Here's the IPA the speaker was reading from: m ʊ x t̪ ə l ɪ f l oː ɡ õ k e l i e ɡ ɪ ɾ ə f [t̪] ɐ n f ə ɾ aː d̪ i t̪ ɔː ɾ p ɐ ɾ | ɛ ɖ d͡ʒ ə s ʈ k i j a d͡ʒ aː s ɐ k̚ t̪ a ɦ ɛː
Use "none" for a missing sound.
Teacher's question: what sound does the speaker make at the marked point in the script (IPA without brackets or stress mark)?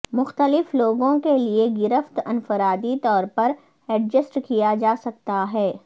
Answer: t̪